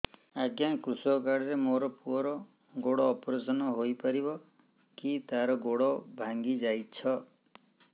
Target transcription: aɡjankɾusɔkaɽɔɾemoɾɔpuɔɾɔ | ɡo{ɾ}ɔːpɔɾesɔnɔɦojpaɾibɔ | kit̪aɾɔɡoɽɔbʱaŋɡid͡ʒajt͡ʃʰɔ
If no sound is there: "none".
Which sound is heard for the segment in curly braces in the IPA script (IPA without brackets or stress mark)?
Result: ɽ